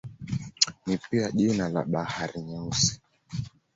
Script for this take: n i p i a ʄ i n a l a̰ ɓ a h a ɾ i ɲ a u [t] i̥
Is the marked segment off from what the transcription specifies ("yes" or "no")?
yes